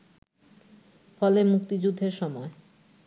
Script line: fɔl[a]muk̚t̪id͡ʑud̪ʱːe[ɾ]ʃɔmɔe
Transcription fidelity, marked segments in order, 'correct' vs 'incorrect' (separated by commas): incorrect, correct